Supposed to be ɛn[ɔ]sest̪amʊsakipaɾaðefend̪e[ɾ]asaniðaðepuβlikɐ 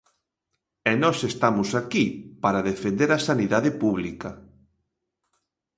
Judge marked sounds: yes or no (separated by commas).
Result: yes, yes